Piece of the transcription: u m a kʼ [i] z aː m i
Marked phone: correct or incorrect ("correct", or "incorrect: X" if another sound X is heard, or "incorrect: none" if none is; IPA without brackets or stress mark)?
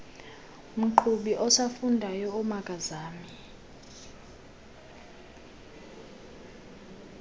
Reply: incorrect: a